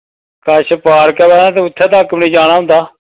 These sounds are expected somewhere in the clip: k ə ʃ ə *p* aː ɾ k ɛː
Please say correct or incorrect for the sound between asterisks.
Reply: correct